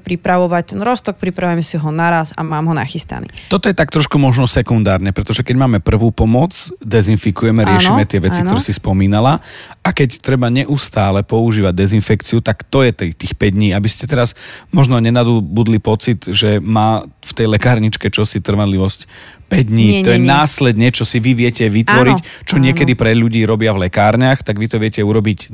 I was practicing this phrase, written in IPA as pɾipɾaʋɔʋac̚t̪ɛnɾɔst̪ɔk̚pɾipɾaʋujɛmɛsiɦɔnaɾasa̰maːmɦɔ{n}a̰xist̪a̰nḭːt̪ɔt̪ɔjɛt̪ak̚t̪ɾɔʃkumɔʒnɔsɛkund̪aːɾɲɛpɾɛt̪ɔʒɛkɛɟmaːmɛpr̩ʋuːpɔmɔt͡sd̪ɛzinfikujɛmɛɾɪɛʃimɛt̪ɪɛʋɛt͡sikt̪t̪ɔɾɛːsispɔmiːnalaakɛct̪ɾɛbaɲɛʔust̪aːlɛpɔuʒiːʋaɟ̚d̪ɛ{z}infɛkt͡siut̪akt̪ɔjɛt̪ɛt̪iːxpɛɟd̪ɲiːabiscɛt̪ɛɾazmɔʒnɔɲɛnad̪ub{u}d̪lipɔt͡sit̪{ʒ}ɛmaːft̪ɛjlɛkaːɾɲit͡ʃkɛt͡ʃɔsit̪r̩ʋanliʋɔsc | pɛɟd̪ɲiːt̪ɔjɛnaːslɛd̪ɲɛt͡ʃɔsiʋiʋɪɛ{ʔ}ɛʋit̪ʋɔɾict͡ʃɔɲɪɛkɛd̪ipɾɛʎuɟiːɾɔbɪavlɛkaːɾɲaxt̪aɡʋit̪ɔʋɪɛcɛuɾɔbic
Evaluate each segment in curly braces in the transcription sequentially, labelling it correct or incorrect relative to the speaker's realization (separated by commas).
correct, correct, correct, correct, incorrect